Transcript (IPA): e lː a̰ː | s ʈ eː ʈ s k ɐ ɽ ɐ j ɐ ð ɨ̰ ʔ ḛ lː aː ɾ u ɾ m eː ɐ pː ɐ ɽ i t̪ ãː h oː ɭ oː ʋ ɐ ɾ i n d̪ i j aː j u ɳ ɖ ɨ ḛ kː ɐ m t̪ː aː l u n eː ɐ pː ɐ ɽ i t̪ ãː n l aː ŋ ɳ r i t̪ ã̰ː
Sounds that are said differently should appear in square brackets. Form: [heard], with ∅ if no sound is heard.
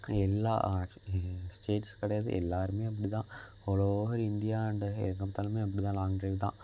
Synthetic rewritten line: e lː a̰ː | s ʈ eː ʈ s k ɐ ɽ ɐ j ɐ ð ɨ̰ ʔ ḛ lː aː ɾ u [∅] m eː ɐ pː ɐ ɽ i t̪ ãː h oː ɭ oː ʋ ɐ ɾ i n d̪ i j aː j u ɳ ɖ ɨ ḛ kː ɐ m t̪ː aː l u [m] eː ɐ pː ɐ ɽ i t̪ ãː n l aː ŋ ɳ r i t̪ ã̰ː